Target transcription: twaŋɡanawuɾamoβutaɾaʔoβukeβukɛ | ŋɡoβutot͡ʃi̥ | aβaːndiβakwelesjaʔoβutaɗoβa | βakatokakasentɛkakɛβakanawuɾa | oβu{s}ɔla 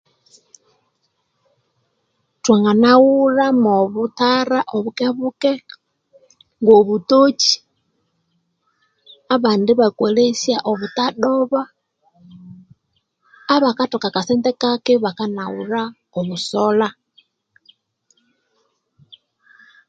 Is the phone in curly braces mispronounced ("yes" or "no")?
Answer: no